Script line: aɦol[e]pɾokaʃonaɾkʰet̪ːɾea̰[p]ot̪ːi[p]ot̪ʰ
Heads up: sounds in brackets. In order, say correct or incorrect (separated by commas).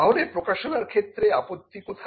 correct, correct, incorrect